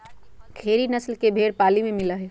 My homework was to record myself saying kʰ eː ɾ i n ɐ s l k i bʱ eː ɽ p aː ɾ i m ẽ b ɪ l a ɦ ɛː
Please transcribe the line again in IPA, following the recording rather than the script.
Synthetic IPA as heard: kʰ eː ɾ i n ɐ s l k e bʱ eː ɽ p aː l i m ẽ m ɪ l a ɦ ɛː